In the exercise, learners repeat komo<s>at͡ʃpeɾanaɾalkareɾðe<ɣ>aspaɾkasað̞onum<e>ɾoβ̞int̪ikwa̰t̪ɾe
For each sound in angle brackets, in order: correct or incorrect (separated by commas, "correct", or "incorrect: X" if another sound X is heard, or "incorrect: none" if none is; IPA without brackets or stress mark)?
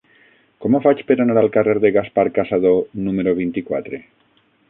incorrect: f, correct, correct